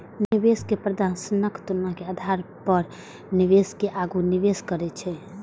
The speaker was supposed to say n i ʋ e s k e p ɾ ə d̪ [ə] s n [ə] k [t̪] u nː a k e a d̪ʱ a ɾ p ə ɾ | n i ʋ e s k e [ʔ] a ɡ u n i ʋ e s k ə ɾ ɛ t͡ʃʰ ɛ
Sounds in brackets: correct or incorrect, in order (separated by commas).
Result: incorrect, correct, correct, correct